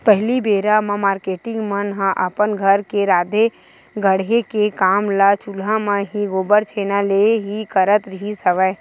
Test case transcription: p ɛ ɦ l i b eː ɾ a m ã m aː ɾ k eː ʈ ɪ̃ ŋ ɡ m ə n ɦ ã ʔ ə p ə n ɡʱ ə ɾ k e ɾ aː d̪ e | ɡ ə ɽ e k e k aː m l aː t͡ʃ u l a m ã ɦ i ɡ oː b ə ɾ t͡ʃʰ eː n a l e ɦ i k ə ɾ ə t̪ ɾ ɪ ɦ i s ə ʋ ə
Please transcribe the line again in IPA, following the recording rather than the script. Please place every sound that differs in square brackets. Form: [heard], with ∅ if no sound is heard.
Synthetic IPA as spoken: p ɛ ɦ l i b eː ɾ a m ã m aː ɾ k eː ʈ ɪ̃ ŋ ɡ m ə n ɦ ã ʔ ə p ə n ɡʱ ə ɾ k e ɾ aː d̪ e | ɡ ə ɽ e k e k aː m l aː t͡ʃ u l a m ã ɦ i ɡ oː b ə ɾ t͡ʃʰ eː n a l e ɦ i k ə ɾ ə t̪ ɾ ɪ ɦ i s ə ʋ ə